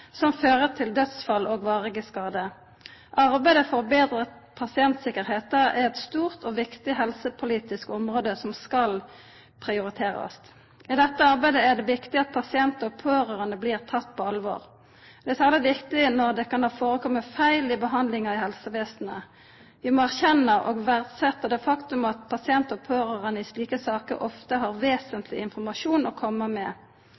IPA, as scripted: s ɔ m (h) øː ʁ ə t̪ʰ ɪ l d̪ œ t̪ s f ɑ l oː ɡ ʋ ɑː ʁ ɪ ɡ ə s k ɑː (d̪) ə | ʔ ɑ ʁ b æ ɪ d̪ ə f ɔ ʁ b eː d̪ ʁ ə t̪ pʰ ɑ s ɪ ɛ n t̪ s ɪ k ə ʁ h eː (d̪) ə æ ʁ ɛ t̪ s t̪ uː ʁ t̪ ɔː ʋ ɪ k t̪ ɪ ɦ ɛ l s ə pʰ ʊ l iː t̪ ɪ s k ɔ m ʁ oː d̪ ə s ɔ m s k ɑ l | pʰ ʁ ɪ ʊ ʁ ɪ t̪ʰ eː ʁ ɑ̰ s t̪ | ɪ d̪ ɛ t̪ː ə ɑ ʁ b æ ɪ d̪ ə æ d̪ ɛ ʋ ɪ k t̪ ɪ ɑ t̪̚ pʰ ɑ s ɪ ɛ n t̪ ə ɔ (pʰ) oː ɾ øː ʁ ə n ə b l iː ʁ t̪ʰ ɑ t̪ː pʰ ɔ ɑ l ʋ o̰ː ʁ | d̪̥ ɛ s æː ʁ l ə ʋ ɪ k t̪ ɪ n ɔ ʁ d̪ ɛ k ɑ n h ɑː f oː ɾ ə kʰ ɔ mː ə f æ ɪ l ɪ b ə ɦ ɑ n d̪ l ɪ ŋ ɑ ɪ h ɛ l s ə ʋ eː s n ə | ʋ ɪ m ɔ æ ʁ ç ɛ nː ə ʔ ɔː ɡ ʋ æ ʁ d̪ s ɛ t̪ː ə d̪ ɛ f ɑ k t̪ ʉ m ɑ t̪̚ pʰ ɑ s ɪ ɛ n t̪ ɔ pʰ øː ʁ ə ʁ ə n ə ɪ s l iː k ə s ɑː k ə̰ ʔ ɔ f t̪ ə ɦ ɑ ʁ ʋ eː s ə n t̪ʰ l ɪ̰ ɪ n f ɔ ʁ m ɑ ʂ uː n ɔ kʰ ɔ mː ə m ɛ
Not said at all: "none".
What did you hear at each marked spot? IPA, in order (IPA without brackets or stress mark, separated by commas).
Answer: f, d̪, t̪, pʰ